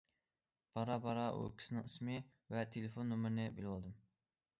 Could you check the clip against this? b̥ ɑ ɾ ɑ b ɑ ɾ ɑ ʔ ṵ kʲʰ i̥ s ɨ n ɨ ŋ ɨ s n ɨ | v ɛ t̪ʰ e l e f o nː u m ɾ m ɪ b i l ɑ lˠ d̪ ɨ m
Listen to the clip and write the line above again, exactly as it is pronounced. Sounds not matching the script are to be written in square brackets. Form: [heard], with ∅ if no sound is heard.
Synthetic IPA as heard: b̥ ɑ ɾ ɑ b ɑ ɾ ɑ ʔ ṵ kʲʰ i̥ s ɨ n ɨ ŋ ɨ s [m] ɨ | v ɛ t̪ʰ e l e f o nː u m ɾ [n] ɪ b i l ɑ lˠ d̪ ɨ m

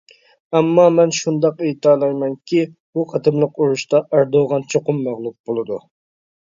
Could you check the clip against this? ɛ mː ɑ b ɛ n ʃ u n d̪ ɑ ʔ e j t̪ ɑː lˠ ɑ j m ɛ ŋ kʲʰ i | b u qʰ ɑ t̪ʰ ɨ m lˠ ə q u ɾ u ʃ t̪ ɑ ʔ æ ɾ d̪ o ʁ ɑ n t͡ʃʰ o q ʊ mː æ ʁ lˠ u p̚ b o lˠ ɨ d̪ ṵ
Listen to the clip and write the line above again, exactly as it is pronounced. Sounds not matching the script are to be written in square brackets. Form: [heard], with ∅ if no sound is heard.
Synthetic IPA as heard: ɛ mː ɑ [m] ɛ n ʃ u n d̪ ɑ [q] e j t̪ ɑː lˠ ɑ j m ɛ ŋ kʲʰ i | b u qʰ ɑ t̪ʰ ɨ m lˠ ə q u ɾ u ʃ t̪ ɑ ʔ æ ɾ d̪ o ʁ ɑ n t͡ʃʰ o q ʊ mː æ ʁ lˠ u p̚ b o lˠ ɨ d̪ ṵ

